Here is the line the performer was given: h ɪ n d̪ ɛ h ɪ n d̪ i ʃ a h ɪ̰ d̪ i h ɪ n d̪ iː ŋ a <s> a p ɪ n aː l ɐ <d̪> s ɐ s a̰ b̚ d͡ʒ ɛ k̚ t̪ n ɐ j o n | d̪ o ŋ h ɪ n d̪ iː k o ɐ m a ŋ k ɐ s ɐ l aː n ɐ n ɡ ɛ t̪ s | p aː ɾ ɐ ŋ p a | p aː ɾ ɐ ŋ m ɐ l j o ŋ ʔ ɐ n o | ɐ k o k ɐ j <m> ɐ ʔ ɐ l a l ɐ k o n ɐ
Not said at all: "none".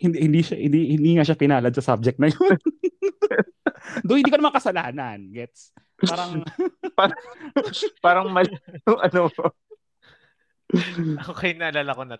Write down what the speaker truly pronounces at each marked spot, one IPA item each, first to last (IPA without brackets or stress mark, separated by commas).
ʃ, d̪, n